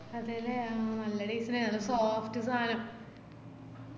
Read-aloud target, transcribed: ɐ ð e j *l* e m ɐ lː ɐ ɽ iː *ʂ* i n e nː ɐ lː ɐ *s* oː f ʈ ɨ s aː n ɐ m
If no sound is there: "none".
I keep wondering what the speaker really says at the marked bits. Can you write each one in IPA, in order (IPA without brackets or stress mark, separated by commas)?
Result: l, s, s